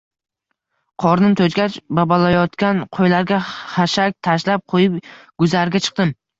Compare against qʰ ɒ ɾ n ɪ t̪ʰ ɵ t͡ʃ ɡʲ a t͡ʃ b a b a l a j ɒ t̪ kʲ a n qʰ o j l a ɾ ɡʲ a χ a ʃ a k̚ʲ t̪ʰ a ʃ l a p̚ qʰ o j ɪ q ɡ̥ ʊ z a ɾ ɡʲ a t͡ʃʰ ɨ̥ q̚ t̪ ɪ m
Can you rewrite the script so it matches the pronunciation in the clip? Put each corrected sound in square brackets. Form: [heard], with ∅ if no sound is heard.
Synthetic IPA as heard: qʰ ɒ ɾ n ɪ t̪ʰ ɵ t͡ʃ ɡʲ a t͡ʃ b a b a l a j ɒ t̪ kʲ a n qʰ o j l a ɾ ɡʲ a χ a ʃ a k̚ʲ t̪ʰ a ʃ l a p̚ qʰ o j ɪ [p] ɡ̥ ʊ z a ɾ ɡʲ a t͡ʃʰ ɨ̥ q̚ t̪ ɪ m